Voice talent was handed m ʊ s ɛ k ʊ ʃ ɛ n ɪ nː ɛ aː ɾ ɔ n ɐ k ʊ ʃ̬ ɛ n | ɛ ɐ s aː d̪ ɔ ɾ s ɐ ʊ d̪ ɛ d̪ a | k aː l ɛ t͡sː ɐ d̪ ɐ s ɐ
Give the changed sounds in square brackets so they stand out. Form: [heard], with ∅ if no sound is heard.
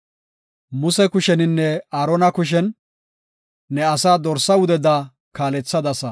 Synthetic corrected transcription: m ʊ s ɛ k ʊ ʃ ɛ n ɪ nː ɛ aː ɾ ɔ n ɐ k ʊ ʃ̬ ɛ n | ɛ ɐ s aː d̪ ɔ ɾ s ɐ ʊ d̪ ɛ d̪ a | k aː l ɛ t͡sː ɐ d̪ ɐ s ɐ